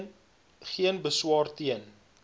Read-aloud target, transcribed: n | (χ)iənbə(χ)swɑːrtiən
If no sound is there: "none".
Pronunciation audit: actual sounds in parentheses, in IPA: χ, none

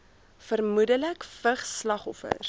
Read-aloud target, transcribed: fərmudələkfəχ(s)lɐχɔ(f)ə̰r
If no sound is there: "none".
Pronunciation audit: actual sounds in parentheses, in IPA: s, f

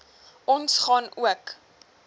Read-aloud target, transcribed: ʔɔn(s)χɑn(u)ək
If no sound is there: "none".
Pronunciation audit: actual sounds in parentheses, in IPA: s, u

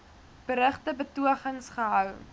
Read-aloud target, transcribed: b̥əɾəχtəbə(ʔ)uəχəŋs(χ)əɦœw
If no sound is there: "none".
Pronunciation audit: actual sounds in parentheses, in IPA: t, χ

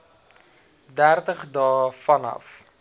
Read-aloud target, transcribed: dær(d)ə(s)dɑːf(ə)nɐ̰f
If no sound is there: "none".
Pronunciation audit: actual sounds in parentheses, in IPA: t, χ, ɐ

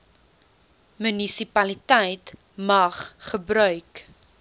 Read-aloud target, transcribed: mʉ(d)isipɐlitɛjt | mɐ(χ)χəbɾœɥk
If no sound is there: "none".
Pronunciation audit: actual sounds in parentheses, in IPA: n, χ

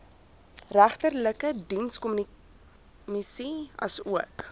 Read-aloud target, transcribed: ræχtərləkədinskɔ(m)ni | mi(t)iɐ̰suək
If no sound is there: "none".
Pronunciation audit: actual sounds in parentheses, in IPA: m, s

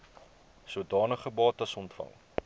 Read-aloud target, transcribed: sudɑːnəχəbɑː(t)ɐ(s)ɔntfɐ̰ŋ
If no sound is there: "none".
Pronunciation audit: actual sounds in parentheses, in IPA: t, s

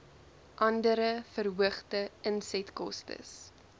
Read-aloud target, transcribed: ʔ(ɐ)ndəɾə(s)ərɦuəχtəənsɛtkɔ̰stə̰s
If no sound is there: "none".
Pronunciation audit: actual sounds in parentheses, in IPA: ɐ, f

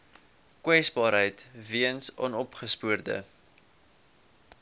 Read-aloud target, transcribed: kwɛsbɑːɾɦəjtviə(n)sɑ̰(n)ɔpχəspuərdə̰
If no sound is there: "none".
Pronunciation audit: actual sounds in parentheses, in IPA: n, n

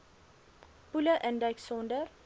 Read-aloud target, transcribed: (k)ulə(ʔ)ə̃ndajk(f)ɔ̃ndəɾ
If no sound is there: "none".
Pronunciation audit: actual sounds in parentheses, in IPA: p, ʔ, s

